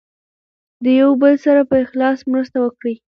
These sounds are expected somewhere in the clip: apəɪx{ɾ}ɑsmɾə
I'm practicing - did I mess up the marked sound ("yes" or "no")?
yes